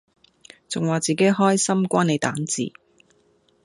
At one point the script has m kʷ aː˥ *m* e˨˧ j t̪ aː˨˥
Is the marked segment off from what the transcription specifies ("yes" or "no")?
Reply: yes